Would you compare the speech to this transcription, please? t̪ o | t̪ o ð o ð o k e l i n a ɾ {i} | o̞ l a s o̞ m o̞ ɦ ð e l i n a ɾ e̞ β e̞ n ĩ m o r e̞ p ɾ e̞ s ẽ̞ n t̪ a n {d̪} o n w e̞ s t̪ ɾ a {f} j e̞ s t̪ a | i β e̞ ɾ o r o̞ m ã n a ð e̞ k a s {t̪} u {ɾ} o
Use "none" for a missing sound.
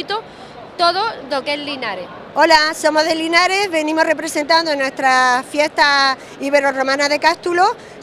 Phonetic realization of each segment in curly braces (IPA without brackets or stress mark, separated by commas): e, d̪, f, t̪, l